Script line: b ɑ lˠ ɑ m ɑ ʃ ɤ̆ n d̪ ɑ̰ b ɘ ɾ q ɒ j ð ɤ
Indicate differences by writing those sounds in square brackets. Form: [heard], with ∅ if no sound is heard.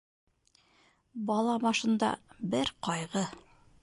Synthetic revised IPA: b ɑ lˠ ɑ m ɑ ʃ ɤ̆ n d̪ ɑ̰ b ɘ ɾ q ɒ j [ʁ] ɤ